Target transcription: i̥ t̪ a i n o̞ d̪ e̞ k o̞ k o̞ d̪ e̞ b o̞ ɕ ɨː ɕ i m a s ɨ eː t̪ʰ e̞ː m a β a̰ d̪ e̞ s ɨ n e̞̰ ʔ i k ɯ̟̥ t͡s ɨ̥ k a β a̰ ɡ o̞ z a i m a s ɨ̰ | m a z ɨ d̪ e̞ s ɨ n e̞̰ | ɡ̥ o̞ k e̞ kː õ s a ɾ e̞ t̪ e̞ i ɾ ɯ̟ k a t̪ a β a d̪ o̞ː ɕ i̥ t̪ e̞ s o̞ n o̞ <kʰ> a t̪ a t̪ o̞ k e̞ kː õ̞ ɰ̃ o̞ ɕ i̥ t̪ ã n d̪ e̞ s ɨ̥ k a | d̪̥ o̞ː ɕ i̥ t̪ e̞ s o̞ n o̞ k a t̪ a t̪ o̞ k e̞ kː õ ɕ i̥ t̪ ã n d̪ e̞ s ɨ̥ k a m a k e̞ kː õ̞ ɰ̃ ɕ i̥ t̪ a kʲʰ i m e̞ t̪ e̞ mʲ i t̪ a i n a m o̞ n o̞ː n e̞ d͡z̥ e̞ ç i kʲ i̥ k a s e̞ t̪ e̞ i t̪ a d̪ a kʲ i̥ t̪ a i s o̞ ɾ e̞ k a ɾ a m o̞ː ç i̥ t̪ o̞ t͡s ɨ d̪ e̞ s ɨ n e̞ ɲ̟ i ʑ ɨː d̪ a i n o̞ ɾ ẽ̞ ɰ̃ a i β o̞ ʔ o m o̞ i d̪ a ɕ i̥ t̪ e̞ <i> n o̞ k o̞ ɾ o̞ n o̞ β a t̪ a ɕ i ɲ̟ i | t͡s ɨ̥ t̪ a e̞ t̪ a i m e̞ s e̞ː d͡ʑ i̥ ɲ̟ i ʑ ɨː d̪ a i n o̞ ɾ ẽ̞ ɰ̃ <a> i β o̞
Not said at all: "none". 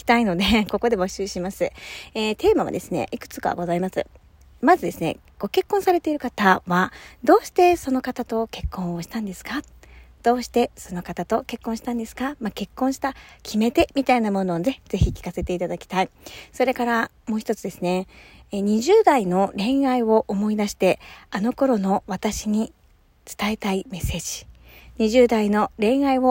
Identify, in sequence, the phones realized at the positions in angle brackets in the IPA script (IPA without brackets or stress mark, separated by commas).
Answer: k, a, a